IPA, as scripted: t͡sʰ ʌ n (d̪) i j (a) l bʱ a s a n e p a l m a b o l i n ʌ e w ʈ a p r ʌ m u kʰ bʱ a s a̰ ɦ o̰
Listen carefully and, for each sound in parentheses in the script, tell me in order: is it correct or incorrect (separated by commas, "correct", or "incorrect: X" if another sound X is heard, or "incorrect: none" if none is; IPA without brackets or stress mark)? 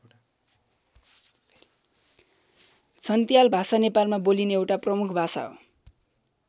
incorrect: t̪, correct